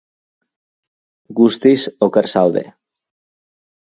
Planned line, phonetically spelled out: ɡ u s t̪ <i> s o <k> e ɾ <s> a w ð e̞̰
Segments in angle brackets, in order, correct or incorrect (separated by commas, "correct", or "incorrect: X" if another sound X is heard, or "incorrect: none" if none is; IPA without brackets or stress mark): correct, correct, correct